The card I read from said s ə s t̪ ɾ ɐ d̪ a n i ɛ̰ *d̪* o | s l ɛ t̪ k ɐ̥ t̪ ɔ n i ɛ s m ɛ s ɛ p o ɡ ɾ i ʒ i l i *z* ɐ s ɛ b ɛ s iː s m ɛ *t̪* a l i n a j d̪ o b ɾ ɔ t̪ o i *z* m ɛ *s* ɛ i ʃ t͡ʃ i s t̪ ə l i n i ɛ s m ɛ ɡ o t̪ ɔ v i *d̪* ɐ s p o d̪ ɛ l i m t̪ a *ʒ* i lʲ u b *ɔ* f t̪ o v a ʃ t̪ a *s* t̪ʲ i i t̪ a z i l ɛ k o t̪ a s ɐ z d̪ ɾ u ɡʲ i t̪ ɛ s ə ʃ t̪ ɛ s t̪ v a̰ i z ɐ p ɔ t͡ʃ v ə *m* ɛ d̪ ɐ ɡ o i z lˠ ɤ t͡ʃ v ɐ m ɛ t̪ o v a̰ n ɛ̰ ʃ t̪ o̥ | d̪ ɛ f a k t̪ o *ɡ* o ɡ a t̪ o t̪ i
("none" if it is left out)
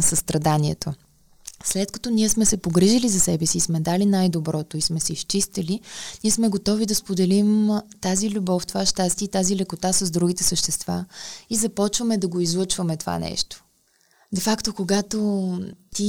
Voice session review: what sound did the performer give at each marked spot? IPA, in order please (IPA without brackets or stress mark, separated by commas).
t̪, z, d̪, s, s, d̪, z, ɔ, s, m, k